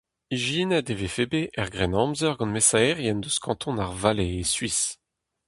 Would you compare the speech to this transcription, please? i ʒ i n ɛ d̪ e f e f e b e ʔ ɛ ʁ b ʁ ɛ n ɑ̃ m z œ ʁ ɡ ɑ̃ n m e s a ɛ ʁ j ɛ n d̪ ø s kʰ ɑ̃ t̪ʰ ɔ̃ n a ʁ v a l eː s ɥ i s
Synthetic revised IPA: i ʒ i n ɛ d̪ e v e f e b e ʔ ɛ ʁ ɡ ʁ ɛ n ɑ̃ m z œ ʁ ɡ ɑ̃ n m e s a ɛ ʁ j ɛ n d̪ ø s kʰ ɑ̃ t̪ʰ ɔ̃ n a ʁ v a l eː s ɥ i s